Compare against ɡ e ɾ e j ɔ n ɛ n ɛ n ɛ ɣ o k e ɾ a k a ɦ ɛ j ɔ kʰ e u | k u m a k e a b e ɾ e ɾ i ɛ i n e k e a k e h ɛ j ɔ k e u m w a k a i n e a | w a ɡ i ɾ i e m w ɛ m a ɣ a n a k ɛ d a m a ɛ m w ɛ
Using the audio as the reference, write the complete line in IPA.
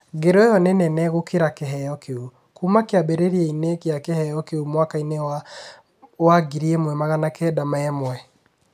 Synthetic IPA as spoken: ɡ e ɾ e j ɔ n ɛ n ɛ n ɛ ɣ o k e ɾ a k e ɦ ɛ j ɔ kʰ e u | k u m a k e a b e ɾ e ɾ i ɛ i n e k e a k e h ɛ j ɔ k e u m w a k a i n e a | w a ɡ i ɾ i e m w ɛ m a ɣ a n a k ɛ d a m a ɛ m w ɛ